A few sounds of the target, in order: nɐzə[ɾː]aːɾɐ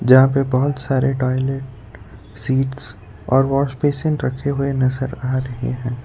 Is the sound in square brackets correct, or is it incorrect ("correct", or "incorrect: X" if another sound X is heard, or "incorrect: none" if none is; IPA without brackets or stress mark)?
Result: incorrect: ɾ